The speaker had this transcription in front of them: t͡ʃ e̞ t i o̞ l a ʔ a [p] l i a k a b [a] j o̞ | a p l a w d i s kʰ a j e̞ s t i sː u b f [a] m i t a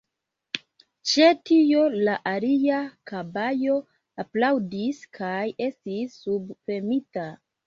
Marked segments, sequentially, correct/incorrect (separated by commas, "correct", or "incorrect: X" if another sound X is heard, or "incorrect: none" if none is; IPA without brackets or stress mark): incorrect: none, correct, incorrect: e